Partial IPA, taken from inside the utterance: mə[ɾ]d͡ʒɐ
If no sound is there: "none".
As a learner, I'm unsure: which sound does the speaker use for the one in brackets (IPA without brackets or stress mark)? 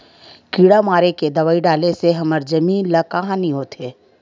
ɾ